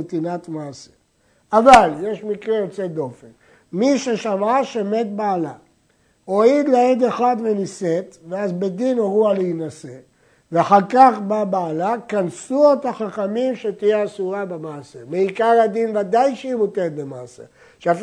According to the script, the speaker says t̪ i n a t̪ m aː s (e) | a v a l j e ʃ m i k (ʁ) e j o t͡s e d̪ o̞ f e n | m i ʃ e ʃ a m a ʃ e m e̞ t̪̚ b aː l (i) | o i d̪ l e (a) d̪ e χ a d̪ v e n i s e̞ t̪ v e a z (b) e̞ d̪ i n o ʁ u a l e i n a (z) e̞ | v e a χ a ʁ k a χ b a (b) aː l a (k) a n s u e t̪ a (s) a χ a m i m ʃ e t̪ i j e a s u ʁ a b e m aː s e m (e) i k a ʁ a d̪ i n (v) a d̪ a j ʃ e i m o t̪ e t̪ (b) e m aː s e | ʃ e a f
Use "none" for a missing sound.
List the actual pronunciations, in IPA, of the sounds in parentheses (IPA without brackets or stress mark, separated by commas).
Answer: e, ʁ, a, e, b, s, b, k, χ, e, v, b